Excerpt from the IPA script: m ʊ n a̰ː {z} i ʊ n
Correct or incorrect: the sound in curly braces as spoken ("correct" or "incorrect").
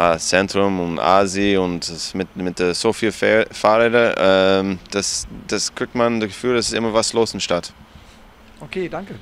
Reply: correct